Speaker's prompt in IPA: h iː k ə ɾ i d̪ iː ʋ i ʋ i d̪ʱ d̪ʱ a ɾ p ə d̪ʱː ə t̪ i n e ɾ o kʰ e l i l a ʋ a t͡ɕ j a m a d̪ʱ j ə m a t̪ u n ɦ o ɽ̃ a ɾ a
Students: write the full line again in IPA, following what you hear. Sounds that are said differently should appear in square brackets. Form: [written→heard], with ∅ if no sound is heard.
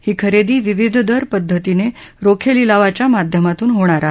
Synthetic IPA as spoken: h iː [k→kʰ] ə ɾ [i→e] d̪ iː ʋ i ʋ i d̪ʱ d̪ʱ [a→ə] ɾ p ə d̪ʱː ə t̪ i n e ɾ o kʰ e l i l a ʋ a t͡ɕ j a m a d̪ʱ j ə m a t̪ [u→uː] n ɦ o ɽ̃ a ɾ a